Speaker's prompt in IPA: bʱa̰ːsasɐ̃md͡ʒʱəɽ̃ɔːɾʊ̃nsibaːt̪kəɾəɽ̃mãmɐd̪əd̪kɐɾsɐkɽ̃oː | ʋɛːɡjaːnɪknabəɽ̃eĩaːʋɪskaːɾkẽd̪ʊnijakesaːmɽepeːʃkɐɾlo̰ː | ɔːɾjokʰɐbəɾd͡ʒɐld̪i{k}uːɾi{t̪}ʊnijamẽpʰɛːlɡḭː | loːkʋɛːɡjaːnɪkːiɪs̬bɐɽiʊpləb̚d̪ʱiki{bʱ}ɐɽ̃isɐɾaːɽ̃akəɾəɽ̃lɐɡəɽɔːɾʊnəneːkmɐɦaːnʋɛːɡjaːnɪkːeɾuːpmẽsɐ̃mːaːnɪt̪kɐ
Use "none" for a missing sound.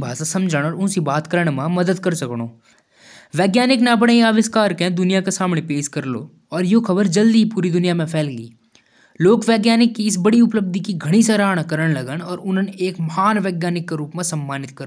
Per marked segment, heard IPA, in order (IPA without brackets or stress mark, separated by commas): p, d̪, ɡʱ